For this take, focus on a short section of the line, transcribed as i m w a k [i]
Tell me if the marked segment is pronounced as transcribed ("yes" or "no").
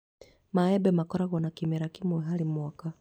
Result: no